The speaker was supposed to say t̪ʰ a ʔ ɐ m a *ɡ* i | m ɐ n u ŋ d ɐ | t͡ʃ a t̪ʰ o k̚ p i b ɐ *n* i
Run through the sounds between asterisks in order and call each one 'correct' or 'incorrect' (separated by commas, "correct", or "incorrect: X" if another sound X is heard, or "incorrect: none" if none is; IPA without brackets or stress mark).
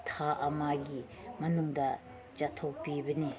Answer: correct, correct